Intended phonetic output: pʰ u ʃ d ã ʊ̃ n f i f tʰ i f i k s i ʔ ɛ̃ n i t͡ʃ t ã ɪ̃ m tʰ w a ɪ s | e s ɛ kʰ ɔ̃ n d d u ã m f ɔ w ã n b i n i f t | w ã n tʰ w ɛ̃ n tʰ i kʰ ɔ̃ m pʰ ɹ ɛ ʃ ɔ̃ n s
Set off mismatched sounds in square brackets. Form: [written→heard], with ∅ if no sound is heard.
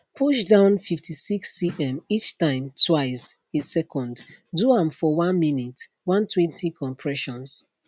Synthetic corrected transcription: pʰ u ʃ d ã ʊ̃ n f i f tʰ i [f→s] i k s i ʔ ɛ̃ [n→m] i t͡ʃ t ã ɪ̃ m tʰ w a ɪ s | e s ɛ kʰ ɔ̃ n d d u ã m f ɔ w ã n [b→m] i n i [f→∅] t | w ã n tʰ w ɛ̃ n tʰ i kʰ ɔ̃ m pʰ ɹ ɛ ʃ ɔ̃ n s